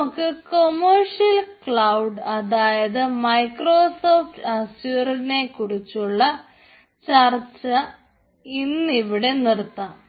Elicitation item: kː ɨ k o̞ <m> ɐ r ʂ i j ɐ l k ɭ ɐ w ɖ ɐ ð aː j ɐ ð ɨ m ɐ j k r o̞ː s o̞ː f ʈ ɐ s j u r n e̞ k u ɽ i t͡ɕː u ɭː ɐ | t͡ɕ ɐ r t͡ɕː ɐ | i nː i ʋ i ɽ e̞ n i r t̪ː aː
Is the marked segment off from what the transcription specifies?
no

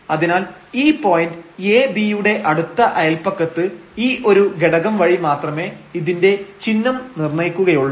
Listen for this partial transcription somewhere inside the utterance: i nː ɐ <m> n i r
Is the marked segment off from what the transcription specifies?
no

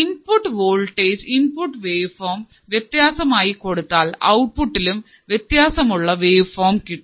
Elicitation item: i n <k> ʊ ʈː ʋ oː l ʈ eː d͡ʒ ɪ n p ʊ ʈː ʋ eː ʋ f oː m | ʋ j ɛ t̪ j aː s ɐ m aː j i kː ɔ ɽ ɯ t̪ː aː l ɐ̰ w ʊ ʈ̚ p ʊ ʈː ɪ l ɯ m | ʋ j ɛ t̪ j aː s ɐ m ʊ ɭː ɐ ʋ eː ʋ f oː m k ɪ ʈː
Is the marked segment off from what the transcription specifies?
yes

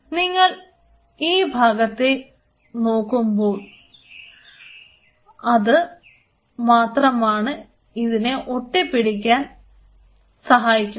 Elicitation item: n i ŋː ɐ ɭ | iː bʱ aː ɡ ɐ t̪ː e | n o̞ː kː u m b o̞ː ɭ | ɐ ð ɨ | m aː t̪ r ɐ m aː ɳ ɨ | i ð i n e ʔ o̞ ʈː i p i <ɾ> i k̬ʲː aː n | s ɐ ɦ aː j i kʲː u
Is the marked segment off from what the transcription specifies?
yes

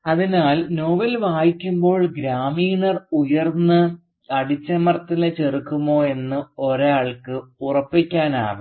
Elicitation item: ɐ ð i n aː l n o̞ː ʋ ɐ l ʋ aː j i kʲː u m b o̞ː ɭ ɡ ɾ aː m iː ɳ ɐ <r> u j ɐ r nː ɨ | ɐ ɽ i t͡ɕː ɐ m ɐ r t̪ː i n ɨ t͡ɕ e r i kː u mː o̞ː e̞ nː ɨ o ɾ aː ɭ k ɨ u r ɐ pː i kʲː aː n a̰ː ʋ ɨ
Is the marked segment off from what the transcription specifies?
no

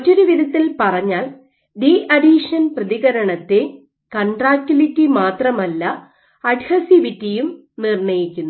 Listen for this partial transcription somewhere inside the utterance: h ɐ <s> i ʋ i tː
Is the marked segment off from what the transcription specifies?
no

